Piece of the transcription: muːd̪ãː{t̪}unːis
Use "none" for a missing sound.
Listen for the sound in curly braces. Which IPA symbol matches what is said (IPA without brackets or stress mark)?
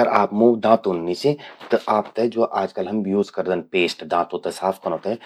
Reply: t̪